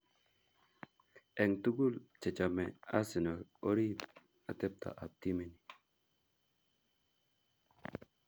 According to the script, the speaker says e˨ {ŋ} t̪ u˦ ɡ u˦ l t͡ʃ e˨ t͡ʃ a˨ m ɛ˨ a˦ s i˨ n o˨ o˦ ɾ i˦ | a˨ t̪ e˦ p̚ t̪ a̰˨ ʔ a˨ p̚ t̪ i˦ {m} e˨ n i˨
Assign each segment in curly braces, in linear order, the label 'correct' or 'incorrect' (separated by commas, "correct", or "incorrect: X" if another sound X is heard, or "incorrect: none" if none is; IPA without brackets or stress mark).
correct, correct